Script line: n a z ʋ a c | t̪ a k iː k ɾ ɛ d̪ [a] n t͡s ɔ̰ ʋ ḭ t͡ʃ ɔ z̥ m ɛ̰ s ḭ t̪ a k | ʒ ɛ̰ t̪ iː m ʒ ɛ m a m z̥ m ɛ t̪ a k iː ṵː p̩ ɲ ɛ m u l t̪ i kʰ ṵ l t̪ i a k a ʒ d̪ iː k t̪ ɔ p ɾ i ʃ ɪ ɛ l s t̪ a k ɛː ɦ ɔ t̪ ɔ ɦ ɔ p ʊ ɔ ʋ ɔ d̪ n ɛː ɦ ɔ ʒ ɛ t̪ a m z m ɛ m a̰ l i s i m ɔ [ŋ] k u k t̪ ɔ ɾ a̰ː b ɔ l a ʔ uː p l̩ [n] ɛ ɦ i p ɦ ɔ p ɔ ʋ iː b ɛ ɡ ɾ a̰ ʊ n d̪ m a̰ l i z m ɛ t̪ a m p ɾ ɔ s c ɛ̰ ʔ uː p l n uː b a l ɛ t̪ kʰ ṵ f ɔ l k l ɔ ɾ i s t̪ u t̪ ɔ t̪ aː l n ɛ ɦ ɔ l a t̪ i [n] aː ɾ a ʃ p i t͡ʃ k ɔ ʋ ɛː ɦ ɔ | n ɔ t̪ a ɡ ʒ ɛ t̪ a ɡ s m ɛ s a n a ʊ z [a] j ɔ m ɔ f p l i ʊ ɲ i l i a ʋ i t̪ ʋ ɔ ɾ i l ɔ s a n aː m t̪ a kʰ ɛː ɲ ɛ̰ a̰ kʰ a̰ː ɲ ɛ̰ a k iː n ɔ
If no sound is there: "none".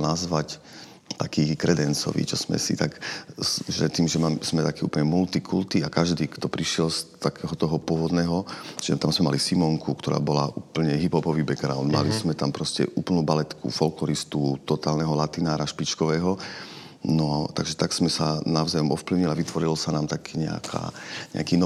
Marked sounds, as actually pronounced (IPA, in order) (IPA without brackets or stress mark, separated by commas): ɛ, ŋ, ɲ, n, a